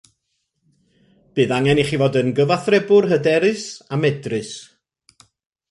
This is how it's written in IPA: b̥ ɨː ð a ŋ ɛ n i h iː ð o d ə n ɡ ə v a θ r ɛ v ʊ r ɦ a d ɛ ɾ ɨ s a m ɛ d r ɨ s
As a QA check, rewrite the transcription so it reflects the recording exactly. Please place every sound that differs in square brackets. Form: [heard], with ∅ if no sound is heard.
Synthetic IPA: b̥ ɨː ð a ŋ ɛ n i [χ] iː [v] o d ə n ɡ ə v a θ r ɛ [b] ʊ r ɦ [ə] d ɛ ɾ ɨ s a m ɛ d r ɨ s